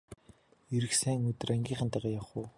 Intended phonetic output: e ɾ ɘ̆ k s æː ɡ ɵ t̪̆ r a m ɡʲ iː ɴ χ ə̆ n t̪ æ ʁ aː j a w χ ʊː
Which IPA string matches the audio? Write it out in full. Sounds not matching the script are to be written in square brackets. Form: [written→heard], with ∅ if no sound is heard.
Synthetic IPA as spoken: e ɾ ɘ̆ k s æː [ɡ→ŋ] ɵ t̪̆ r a [m→ŋ] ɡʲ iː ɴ χ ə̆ n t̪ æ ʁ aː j a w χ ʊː